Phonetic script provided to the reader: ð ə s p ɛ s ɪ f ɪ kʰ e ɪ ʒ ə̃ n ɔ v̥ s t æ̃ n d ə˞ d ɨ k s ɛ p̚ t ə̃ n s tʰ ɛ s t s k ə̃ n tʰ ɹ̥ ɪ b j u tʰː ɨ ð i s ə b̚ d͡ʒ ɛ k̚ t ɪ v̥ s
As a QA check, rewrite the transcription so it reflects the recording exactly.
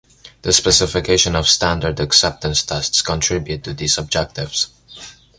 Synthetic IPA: ð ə s p ɛ s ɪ f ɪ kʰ e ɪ ʃ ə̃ n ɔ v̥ s t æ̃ n d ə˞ d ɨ k s ɛ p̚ t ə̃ n s tʰ ɛ s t s k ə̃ n tʰ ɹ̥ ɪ b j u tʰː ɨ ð i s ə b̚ d͡ʒ ɛ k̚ t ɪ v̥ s